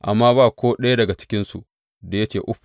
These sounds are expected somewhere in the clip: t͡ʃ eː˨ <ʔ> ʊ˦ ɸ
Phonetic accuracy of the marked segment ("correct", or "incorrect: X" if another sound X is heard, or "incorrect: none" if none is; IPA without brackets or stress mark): correct